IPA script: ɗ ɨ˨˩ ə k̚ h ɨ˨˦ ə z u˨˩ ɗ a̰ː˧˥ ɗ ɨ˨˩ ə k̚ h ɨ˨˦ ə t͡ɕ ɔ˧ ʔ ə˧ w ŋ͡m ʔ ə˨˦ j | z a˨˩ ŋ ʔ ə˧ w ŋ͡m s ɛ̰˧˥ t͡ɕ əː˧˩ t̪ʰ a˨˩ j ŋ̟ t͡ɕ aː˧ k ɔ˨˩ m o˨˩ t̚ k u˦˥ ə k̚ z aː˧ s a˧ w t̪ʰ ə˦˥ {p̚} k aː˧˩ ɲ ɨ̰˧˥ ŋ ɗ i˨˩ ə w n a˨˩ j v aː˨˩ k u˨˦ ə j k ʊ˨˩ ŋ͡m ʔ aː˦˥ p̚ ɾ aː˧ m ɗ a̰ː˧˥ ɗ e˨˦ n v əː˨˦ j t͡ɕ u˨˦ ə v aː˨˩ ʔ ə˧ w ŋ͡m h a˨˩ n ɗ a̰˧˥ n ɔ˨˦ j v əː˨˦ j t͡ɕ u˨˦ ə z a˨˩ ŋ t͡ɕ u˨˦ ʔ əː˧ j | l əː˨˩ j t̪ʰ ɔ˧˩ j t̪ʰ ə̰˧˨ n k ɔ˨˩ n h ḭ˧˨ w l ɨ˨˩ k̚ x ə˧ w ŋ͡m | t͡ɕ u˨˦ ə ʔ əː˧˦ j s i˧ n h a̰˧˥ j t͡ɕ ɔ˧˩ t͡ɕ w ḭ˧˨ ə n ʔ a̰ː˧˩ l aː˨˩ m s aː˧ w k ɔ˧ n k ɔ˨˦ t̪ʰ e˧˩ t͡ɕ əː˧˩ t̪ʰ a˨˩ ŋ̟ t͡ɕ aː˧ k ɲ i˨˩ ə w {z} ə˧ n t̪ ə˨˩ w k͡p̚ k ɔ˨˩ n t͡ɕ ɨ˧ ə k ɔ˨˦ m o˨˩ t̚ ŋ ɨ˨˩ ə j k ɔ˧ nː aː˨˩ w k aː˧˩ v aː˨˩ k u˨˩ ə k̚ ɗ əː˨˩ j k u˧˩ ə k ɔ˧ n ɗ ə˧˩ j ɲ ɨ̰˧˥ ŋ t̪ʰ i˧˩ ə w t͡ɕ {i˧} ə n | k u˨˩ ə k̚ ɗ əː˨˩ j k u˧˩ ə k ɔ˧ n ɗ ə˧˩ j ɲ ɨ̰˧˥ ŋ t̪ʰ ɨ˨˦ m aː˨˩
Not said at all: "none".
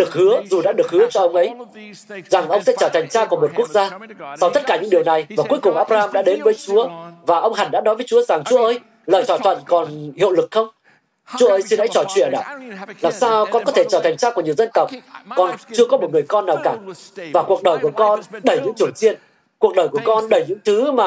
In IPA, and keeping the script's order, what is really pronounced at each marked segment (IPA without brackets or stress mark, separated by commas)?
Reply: t̚, z, i˧